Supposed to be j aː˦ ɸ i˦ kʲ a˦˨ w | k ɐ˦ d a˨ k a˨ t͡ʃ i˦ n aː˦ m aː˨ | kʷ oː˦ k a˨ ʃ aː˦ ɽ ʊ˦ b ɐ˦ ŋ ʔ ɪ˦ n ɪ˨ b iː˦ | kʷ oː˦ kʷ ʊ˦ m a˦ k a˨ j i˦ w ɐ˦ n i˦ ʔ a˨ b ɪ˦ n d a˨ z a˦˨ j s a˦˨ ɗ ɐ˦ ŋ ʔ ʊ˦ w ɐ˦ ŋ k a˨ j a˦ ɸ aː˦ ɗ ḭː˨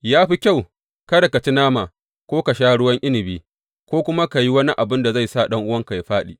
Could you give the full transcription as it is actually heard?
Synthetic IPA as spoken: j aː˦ ɸ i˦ kʲ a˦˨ w | k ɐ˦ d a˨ k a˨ t͡ʃ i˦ n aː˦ m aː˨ | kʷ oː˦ k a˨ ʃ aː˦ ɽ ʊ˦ w ɐ˦ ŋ ʔ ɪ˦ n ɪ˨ b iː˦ | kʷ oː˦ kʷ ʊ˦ m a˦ k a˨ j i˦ w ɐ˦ n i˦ ʔ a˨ b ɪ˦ n d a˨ z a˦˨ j s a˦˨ ɗ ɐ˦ ŋ ʔ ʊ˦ w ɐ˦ ŋ k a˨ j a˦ ɸ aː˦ ɗ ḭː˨